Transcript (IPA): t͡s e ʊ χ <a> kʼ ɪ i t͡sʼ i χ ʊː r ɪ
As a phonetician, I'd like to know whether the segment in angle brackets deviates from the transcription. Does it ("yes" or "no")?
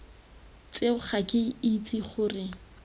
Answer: no